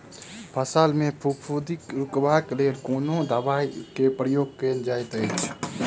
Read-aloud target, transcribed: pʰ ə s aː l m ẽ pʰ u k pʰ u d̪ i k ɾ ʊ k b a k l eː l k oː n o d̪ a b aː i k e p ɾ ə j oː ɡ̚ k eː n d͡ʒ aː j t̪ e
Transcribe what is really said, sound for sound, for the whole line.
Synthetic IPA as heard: pʰ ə s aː l m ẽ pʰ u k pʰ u d̪ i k ɾ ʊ k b a k l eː l k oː n o d̪ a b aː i k e p ɾ ə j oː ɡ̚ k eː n d͡ʒ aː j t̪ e